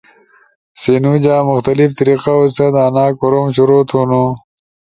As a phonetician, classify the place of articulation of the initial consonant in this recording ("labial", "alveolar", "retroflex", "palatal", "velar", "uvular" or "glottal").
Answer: alveolar